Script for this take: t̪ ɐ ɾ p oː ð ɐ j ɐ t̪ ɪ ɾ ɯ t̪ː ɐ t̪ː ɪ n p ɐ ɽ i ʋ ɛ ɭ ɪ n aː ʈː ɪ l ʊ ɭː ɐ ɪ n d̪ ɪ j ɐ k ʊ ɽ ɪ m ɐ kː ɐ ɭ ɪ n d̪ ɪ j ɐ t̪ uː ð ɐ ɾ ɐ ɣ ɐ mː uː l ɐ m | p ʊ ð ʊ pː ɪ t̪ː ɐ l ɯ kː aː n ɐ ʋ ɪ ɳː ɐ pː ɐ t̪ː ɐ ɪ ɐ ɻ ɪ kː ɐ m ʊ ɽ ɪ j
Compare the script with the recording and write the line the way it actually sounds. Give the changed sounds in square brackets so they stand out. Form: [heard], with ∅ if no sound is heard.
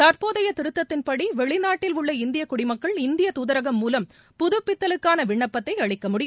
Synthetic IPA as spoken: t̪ ɐ ɾ p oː ð ɐ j ɐ t̪ ɪ ɾ ɯ t̪ː ɐ t̪ː ɪ n p ɐ ɽ i ʋ ɛ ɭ ɪ n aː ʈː ɪ l ʊ ɭː ɐ ɪ n d̪ ɪ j ɐ k ʊ ɽ ɪ m ɐ kː ɐ ɭ ɪ n d̪ ɪ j ɐ t̪ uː ð ɐ ɾ ɐ ɣ ɐ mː uː l ɐ m | p ʊ ð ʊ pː ɪ t̪ː ɐ l ɯ kː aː n ɐ ʋ ɪ ɳː ɐ pː ɐ t̪ː ɐ ɪ ɐ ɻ ɪ kː ɐ m ʊ ɽ ɪ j